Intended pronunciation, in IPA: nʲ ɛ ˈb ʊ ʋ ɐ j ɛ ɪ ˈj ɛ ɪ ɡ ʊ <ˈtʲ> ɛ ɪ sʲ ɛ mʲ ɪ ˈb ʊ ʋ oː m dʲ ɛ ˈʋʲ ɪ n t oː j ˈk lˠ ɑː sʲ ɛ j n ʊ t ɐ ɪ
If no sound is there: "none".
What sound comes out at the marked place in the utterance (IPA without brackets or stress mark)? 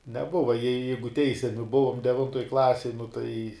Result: tʲ